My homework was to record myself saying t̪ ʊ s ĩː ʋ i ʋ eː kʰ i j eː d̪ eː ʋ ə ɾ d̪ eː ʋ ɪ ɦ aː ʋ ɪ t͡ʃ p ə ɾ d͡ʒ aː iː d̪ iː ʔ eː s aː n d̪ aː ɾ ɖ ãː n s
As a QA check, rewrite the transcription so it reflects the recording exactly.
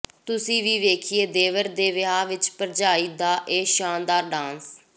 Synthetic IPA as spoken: t̪ ʊ s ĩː ʋ iː ʋ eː kʰ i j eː d̪ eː ʋ ə ɾ d̪ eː ʋ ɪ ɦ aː ʋ ɪ t͡ʃ p ə ɾ d͡ʒ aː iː d̪ aː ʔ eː ʃ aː n d̪ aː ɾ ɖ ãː n s